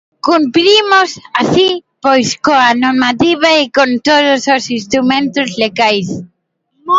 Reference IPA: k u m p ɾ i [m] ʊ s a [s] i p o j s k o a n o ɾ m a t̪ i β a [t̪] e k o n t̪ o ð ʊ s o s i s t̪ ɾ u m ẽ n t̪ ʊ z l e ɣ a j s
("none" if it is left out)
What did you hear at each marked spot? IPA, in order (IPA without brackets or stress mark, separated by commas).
m, s, none